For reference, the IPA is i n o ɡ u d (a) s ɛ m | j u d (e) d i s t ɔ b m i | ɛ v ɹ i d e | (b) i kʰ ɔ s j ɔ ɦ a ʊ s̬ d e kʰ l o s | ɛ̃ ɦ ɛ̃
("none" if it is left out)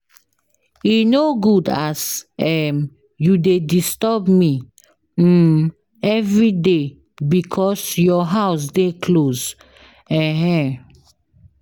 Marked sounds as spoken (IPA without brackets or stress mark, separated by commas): a, e, b